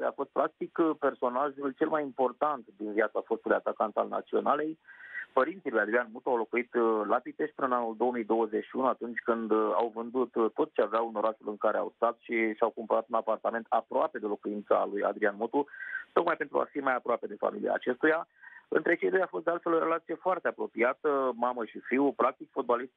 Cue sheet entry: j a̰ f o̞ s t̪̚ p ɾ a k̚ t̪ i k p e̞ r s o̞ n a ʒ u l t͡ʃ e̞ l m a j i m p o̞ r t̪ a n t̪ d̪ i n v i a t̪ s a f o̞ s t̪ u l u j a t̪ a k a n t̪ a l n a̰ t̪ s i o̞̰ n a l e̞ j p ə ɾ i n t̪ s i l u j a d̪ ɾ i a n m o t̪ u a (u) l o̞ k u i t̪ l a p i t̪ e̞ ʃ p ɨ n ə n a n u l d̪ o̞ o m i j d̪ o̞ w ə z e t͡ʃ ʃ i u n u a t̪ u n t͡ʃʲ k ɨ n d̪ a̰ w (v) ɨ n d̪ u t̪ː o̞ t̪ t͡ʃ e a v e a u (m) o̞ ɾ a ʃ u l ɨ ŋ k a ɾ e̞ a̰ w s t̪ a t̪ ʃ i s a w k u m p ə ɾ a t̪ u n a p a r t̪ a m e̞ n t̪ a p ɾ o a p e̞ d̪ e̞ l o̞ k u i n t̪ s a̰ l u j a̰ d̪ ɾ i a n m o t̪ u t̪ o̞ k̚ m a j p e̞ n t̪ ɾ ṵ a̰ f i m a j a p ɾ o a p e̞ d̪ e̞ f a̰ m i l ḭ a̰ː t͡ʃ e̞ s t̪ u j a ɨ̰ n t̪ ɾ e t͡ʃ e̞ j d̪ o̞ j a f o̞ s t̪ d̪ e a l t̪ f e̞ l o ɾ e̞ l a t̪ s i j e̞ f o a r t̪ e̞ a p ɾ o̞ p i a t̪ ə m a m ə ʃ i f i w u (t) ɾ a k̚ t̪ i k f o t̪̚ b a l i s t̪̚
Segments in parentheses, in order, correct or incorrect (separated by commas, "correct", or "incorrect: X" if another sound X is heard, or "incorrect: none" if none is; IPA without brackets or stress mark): incorrect: w, correct, incorrect: n, incorrect: p